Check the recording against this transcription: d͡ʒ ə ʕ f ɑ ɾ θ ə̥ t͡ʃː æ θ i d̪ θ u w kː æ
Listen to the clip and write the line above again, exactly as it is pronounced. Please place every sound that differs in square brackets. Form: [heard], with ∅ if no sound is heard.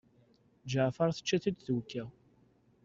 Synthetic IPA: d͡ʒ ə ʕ f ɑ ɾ θ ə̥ t͡ʃː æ θ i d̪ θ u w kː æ